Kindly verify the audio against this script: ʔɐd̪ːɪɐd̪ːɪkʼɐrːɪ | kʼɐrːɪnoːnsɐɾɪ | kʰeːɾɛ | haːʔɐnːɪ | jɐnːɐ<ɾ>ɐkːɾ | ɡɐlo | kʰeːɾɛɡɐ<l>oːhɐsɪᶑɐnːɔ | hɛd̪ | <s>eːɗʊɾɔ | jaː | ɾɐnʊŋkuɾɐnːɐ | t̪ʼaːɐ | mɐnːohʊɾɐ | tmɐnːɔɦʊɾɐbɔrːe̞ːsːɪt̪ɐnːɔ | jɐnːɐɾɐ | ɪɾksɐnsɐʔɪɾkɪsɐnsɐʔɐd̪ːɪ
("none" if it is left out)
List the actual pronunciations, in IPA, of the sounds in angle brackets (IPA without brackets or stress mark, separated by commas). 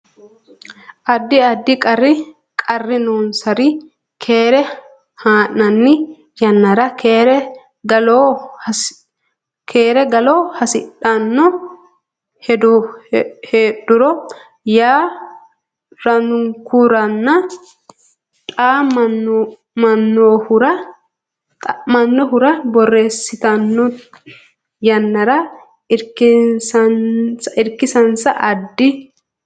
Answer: ɾ, l, h